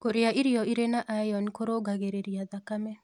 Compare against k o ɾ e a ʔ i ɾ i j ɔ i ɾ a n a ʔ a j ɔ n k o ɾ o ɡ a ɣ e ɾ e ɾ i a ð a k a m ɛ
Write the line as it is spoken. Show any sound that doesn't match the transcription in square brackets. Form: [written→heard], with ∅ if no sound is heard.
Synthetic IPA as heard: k o ɾ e a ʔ i ɾ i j ɔ i ɾ [a→e] n a ʔ a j ɔ n k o ɾ o ɡ a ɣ e ɾ e ɾ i a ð a k a m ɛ